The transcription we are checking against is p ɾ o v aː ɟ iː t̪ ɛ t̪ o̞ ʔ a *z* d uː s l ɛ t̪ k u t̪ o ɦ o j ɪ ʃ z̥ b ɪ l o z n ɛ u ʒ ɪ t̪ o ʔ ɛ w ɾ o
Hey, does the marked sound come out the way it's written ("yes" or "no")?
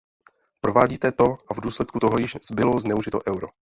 no